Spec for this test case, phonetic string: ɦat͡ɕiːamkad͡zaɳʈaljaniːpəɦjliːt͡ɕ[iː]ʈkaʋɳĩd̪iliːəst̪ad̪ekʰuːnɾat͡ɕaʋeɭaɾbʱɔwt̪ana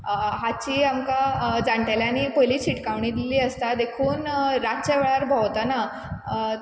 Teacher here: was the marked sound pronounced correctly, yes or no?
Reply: no